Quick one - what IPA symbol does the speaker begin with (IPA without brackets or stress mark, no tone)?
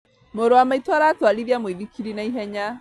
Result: m